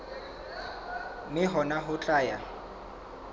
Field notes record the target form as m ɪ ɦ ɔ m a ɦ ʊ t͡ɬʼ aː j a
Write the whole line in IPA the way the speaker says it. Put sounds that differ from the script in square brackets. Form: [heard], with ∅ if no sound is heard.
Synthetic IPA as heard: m ɪ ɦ ɔ [n] a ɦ ʊ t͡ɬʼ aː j a